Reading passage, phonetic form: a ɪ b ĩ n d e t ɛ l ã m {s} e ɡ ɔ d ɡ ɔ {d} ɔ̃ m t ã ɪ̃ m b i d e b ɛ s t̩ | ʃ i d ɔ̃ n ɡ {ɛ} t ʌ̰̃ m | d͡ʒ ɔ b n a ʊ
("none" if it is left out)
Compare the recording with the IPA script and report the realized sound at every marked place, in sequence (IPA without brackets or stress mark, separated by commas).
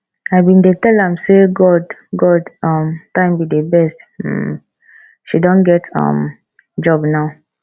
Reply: s, d, ɛ